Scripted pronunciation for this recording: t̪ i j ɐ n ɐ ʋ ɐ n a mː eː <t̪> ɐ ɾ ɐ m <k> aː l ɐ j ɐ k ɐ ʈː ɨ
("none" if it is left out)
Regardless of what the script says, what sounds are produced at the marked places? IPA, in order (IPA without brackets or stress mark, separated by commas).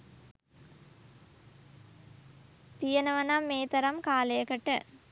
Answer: t̪, k